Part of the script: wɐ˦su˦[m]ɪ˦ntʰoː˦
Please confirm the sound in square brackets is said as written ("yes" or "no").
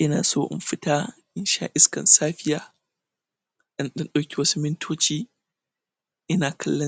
yes